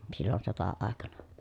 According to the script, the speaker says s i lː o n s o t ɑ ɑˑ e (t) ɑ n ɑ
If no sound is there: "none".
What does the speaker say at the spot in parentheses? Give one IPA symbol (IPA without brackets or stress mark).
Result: k